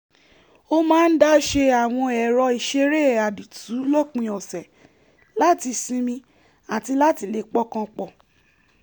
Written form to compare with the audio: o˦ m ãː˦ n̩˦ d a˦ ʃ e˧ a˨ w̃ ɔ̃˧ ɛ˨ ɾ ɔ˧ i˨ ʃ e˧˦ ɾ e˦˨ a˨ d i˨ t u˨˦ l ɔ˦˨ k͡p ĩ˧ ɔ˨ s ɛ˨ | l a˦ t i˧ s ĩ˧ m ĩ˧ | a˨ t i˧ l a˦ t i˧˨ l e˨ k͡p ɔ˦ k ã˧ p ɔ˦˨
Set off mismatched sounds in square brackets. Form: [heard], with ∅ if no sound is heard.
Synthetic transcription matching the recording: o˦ m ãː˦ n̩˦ d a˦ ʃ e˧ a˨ w̃ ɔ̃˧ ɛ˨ ɾ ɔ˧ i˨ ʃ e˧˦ ɾ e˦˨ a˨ d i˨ t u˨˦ l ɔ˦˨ k͡p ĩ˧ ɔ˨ s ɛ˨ | l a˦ t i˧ s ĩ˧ m ĩ˧ | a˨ t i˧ l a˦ t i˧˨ l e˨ k͡p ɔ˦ k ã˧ [k͡p] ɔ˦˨